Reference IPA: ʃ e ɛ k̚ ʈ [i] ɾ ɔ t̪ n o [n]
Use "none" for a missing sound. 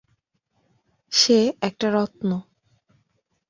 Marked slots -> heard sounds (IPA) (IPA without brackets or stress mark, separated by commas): a, none